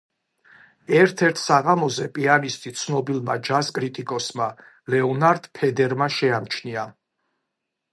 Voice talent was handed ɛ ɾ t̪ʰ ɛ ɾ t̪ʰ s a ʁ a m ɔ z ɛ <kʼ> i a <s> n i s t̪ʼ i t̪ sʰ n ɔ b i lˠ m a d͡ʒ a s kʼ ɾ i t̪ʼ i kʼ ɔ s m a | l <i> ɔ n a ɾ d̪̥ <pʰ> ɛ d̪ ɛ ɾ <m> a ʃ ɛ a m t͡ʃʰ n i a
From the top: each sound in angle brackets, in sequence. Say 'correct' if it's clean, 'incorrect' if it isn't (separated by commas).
incorrect, incorrect, incorrect, correct, correct